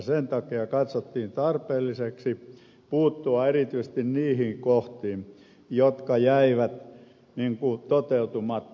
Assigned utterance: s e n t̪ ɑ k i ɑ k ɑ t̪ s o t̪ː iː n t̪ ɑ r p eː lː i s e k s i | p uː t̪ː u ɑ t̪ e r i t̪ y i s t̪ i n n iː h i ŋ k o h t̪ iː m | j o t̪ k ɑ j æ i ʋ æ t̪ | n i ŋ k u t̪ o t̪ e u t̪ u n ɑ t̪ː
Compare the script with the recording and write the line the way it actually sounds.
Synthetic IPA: s e n t̪ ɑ k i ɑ k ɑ t̪ s o t̪ː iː n t̪ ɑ r p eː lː i s e k s i | p uː t̪ː u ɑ e r i t̪ y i s t̪ i n n iː h i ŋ k o h t̪ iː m | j o t̪ k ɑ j æ i ʋ æ t̪ | n i ŋ k u t̪ o t̪ e u t̪ u m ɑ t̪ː